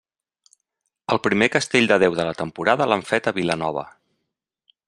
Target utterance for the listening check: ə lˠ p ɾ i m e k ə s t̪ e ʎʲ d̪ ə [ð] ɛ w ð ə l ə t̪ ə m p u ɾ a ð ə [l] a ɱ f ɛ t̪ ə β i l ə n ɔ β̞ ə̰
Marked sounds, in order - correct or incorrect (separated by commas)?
correct, correct